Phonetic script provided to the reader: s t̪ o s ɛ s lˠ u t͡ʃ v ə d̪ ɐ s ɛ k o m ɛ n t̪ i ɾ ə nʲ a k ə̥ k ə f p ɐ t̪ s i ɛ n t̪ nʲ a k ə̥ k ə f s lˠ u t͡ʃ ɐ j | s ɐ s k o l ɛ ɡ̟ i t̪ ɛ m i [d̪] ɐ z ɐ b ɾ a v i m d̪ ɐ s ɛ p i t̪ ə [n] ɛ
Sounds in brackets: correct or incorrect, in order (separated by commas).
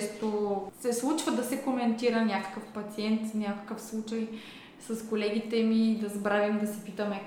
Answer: correct, incorrect